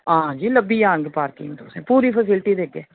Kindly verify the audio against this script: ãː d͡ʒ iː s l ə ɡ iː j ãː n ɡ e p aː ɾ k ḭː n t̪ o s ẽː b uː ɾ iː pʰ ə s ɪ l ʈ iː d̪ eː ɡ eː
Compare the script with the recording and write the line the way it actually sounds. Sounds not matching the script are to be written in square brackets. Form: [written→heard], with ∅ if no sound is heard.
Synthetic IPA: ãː d͡ʒ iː [s→∅] l ə [ɡ→b] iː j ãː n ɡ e p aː ɾ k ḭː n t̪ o s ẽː [b→p] uː ɾ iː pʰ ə s ɪ l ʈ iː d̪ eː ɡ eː